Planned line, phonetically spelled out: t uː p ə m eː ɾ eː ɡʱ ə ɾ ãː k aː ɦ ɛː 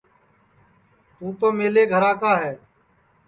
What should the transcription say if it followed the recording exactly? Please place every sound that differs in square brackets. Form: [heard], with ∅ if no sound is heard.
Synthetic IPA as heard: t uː p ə m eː [l] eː ɡʱ ə ɾ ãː k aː ɦ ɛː

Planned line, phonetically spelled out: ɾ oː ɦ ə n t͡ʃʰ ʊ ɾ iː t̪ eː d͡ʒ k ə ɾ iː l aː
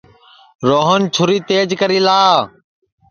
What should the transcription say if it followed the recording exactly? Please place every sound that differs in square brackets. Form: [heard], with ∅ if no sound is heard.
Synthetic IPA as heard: ɾ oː ɦ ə n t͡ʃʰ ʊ ɾ iː t̪ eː d͡ʒ k ə ɾ iː l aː

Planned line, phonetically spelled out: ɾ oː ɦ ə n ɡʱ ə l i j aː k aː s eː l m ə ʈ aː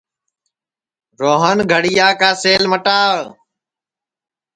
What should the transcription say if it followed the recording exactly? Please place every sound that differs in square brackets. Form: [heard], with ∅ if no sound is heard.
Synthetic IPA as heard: ɾ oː ɦ ə n ɡʱ ə [ɽ] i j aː k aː s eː l m ə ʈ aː

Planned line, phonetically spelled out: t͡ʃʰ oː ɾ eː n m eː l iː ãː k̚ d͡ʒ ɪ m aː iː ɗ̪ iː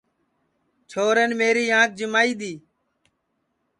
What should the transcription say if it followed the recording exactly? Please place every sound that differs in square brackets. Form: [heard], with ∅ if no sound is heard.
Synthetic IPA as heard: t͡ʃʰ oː ɾ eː n m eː [ɾ] iː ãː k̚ d͡ʒ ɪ m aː iː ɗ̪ iː

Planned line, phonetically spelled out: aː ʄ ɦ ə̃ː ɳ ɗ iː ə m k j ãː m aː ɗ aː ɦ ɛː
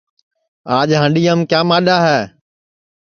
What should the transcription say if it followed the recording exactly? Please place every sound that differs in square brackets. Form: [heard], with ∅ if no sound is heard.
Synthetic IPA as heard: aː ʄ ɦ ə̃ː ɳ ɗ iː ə m k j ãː m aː ɗ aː ɦ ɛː

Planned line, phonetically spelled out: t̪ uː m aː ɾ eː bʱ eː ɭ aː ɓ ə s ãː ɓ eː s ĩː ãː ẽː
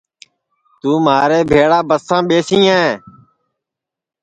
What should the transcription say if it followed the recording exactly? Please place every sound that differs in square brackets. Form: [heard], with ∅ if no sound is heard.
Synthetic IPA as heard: t̪ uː m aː ɾ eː bʱ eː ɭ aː [b] ə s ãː ɓ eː s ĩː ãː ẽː

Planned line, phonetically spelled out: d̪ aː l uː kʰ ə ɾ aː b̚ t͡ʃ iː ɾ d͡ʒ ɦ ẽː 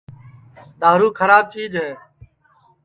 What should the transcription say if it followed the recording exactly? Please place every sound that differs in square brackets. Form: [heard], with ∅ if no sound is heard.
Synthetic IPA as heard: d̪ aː [ɾ] uː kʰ ə ɾ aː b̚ t͡ʃ iː [∅] d͡ʒ ɦ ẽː

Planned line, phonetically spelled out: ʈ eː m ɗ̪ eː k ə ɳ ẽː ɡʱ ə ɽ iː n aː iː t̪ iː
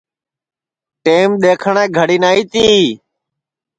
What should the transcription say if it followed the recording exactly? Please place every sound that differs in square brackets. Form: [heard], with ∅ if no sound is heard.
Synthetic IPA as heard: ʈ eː m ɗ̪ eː [kʰ] ə ɳ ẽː ɡʱ ə ɽ iː n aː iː t̪ iː

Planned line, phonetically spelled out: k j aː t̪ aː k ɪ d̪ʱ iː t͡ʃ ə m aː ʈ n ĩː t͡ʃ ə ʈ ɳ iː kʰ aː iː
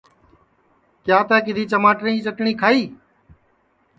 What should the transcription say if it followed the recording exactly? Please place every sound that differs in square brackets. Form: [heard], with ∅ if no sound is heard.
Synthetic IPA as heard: k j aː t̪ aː k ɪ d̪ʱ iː t͡ʃ ə m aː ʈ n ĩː t͡ʃ ə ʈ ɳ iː kʰ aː iː

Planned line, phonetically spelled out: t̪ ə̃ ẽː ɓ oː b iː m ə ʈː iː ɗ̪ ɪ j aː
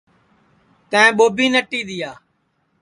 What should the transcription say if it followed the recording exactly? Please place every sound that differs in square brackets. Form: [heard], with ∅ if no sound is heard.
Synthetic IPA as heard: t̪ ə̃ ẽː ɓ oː b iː [n] ə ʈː iː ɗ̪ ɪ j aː

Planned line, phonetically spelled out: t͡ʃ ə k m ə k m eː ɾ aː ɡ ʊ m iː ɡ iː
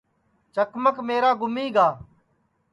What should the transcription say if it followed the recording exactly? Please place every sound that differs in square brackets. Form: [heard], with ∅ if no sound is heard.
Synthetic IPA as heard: t͡ʃ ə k m ə k m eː ɾ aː ɡ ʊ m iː ɡ [aː]

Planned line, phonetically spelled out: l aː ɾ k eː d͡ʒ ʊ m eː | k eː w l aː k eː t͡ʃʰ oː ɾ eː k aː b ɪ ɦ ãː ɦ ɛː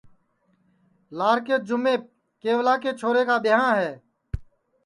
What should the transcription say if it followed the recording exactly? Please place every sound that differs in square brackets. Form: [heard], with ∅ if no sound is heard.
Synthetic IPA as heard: l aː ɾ k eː d͡ʒ ʊ m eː | k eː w l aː k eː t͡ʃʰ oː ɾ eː k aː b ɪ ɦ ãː ɦ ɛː

